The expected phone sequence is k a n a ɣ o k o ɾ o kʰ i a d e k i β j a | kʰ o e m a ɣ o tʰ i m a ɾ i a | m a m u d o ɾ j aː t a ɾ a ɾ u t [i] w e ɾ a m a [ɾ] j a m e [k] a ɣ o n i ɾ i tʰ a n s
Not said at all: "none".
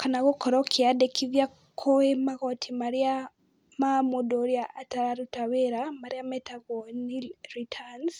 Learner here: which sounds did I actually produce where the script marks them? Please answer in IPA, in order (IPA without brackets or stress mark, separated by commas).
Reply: a, ɾ, t